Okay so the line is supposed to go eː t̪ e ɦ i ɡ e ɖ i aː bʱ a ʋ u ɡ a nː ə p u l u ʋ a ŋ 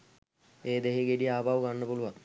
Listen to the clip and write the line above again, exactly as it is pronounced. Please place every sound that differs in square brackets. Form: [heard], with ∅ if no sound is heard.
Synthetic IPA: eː [d̪] e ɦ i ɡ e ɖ i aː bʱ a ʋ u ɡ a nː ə p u l u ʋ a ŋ